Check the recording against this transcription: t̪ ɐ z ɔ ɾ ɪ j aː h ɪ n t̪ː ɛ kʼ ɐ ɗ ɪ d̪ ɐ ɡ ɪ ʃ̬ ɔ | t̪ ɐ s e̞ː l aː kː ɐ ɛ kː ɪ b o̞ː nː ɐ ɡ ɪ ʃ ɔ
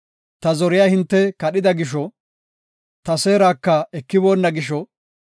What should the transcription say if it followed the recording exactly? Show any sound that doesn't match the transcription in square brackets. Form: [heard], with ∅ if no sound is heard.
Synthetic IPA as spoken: t̪ ɐ z ɔ ɾ ɪ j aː h ɪ n t̪ː ɛ [k] ɐ ɗ ɪ d̪ ɐ ɡ ɪ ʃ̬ ɔ | t̪ ɐ s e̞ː [ɾ] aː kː ɐ ɛ kː ɪ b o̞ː nː ɐ ɡ ɪ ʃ ɔ